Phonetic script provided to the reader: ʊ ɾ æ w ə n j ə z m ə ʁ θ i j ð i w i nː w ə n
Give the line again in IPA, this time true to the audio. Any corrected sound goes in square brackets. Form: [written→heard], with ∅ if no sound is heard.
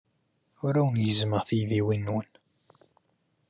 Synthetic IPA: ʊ ɾ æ w ə n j ə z m ə ʁ θ i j ð i w i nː w ə n